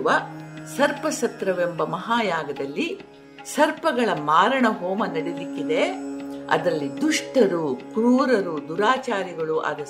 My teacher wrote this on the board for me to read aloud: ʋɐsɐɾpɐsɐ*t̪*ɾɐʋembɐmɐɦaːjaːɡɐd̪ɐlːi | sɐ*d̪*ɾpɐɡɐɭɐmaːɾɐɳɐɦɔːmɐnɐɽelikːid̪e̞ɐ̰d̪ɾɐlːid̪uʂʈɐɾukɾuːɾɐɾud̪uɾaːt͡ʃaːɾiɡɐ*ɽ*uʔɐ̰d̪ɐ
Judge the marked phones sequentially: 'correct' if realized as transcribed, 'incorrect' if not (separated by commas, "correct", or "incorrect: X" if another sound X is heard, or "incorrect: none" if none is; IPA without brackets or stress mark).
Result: correct, incorrect: none, incorrect: ɭ